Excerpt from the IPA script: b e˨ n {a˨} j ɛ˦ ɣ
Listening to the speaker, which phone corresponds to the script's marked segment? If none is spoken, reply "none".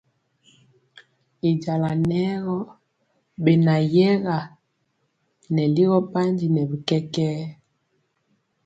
a˨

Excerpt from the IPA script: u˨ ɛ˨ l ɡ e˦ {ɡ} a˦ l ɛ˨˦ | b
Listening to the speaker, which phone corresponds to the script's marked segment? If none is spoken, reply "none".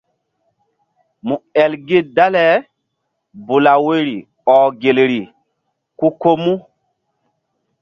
d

